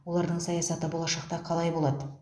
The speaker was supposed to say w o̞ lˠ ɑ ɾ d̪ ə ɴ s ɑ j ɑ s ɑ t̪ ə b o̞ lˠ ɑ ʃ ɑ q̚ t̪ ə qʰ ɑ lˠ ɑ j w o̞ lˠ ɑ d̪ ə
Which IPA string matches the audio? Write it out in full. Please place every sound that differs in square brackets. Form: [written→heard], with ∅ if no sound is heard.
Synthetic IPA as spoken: w o̞ lˠ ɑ ɾ d̪ ə ɴ s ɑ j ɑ s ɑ t̪ ə b o̞ lˠ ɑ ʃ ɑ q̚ t̪ [ə→ɑ] qʰ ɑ lˠ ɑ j [w→b] o̞ lˠ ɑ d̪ ə